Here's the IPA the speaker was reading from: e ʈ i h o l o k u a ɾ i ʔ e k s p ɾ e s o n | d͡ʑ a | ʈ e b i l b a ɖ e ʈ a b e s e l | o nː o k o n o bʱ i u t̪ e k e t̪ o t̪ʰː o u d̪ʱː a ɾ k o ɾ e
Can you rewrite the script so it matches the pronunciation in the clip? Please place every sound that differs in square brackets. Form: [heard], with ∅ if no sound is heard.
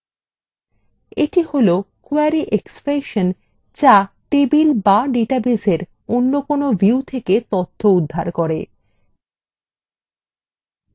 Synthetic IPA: e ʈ i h o l o k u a ɾ i ʔ e k s p ɾ e [ʃ] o n | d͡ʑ a | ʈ e b i l b a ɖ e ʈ a b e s e [ɾ] | o nː o k o n o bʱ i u [t̪ʰ] e k e t̪ o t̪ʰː o u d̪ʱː a ɾ k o ɾ e